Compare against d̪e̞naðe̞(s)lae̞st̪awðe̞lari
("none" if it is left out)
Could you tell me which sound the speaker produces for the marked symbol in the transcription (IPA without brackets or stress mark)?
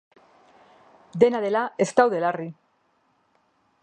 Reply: none